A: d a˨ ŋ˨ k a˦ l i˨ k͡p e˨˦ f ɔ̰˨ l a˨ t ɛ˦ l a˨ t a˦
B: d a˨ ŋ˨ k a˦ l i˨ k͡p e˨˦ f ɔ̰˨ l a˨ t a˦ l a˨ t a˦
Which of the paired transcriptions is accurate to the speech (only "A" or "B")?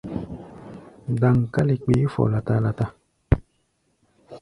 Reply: B